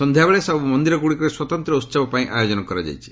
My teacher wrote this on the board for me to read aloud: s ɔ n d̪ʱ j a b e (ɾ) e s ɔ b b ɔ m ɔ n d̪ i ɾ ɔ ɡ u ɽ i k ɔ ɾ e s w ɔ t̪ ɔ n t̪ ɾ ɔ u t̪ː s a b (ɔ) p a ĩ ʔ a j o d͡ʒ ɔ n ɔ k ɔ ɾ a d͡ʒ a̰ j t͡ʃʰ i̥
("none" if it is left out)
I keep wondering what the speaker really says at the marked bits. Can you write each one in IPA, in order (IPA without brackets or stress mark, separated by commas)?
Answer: ɭ, ɔ